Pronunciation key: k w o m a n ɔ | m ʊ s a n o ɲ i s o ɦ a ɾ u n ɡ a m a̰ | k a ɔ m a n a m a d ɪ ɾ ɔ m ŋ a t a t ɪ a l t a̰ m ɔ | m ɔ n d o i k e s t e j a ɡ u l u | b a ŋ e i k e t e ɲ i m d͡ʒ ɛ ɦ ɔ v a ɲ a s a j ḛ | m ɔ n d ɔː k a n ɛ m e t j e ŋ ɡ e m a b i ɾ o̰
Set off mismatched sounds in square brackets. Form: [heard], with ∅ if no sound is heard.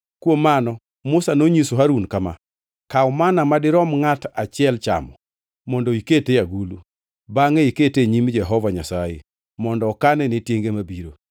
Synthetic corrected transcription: k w o m a n ɔ | m ʊ s a n o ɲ i s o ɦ a ɾ u n [k] a m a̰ | k a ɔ m a n a m a d ɪ ɾ ɔ m ŋ a t a [t͡ʃ] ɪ [ɛ] l [t͡ʃ] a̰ m ɔ | m ɔ n d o i k e [∅] t e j a ɡ u l u | b a ŋ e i k e t e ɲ i m d͡ʒ ɛ ɦ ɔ v a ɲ a s a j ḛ | m ɔ n d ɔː k a n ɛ [n] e t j e ŋ ɡ e m a b i ɾ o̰